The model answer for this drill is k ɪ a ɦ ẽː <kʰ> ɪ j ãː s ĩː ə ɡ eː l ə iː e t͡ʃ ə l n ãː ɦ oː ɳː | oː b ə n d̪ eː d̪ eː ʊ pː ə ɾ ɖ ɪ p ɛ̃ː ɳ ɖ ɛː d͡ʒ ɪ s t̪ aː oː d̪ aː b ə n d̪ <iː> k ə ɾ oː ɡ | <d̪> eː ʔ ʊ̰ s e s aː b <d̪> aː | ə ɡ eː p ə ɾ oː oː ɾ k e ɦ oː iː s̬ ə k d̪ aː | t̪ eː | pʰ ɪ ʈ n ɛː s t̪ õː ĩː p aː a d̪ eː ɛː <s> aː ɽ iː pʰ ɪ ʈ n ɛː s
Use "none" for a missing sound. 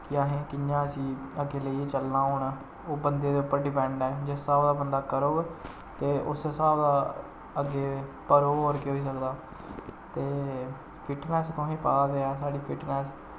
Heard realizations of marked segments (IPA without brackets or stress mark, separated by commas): k, aː, t̪, d̪, s